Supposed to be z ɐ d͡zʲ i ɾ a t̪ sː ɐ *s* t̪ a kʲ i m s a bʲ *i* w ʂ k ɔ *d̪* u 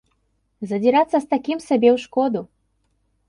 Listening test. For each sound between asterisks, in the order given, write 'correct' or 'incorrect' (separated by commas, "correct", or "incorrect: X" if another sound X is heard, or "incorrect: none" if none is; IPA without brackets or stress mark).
correct, incorrect: ɛ, correct